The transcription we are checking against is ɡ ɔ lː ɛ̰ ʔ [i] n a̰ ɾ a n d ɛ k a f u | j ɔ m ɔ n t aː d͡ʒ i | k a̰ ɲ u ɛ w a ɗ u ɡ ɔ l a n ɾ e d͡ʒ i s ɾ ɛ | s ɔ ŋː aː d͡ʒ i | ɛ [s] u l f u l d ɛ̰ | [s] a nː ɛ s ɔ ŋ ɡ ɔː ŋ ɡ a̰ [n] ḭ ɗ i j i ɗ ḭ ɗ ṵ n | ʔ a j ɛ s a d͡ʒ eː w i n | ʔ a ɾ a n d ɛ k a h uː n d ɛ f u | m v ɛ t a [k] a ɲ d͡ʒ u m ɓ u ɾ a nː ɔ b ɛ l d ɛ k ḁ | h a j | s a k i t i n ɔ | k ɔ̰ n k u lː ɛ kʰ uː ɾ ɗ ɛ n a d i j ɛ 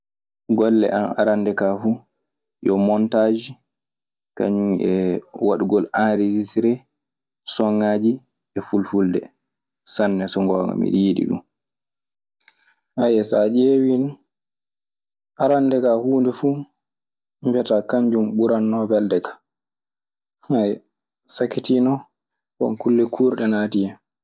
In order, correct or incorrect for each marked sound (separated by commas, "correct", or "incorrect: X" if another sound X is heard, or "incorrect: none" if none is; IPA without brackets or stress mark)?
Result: incorrect: a, incorrect: f, correct, incorrect: m, correct